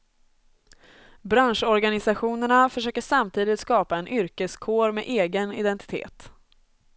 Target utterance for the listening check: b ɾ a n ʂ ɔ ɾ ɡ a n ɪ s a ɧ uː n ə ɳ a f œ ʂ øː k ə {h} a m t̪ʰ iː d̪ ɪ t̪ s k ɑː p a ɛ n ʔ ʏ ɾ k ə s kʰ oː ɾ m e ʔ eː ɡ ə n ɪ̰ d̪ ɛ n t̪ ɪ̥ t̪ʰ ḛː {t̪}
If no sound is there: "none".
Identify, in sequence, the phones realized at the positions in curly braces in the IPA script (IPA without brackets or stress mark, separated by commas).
ʂ, t̪